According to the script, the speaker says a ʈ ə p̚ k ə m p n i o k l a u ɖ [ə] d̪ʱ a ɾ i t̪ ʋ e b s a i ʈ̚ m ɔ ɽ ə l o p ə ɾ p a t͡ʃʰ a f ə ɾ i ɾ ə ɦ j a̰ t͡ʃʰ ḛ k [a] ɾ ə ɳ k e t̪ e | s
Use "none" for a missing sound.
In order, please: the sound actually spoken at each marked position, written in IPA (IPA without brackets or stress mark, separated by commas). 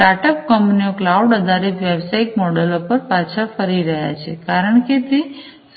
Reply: ə, a